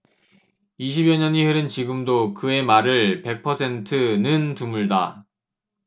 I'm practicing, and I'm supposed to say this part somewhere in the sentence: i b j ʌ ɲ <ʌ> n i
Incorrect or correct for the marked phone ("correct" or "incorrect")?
correct